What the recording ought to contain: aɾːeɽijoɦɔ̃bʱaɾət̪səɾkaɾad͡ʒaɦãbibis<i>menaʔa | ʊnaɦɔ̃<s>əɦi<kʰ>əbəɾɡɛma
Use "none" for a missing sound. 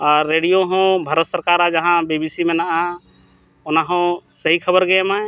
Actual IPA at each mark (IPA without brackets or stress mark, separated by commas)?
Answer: i, s, kʰ